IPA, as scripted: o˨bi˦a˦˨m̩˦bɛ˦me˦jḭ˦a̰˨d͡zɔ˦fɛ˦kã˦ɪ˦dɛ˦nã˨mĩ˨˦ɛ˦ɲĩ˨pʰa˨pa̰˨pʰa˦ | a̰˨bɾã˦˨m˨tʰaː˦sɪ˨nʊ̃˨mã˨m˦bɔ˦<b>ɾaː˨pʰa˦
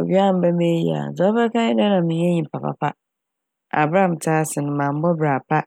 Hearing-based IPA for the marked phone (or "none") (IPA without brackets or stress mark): b